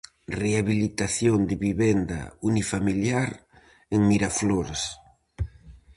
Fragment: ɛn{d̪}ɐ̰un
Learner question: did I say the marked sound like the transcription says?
yes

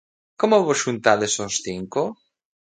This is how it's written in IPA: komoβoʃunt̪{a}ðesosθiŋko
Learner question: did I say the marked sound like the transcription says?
yes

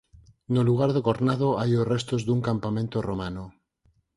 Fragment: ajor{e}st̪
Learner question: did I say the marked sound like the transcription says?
yes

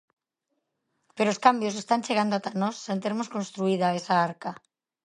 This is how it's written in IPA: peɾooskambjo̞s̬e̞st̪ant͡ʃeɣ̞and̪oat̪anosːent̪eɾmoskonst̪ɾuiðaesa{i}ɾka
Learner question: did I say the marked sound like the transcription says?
no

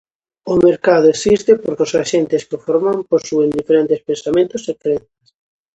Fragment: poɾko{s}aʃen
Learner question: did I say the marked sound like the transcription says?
yes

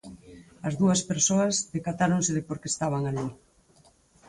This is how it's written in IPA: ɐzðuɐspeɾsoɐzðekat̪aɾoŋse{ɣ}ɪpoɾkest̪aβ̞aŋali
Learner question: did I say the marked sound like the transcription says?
no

